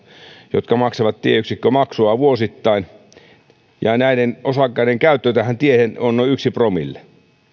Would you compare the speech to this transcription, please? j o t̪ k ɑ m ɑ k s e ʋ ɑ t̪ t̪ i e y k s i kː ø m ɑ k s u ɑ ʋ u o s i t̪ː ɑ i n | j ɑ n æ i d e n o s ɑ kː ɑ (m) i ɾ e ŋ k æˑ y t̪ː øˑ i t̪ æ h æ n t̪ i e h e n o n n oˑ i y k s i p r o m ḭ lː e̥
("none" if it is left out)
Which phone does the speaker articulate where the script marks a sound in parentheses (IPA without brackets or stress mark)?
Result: none